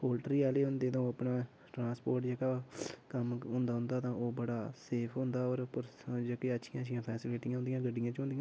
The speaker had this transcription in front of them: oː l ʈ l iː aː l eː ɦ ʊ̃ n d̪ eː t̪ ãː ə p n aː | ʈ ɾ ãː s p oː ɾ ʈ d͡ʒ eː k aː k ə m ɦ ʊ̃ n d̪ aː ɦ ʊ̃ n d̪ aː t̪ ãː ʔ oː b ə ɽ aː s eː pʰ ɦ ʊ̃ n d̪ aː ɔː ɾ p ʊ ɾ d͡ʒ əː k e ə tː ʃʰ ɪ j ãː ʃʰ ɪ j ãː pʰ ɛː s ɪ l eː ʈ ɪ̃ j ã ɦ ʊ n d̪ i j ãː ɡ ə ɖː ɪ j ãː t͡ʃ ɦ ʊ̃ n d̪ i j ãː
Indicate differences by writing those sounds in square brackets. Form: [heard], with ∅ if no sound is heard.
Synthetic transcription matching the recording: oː l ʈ [ɾ] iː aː l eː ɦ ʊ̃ n d̪ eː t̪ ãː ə p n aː | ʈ ɾ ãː s p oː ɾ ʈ d͡ʒ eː k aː k ə m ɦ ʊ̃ n d̪ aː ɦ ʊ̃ n d̪ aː t̪ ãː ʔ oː b ə ɽ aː s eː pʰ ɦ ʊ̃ n d̪ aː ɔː ɾ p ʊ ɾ d͡ʒ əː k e ə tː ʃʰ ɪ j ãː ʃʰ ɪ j ãː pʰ ɛː s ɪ l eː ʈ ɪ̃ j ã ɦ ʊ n d̪ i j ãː ɡ ə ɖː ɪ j ãː t͡ʃ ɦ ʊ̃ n d̪ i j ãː